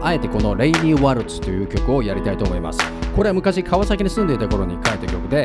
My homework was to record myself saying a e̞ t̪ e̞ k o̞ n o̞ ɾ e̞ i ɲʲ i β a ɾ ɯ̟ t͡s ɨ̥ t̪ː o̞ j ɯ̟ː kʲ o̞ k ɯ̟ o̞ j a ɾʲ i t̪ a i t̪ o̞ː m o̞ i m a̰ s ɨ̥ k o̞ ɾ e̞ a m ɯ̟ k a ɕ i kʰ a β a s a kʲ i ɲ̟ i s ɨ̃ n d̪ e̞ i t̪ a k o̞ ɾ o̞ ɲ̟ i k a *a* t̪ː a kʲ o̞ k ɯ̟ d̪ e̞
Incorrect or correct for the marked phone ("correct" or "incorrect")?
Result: incorrect